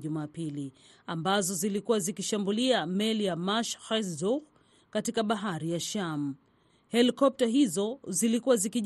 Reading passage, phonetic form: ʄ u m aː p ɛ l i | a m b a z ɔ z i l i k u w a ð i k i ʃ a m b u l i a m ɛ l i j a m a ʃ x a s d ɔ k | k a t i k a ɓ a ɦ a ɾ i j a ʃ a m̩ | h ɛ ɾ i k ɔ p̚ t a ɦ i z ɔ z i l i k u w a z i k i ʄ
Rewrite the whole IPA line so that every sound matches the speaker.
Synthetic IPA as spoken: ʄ u m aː p i l i | a m b a z ɔ z i l i k u w a z i k i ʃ a m b u l i a m ɛ l i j a m a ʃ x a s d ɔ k | k a t i k a ɓ a ɦ a ɾ i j a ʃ a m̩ | h ɛ l i k ɔ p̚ t a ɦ i z ɔ z i l i k u w a z i k i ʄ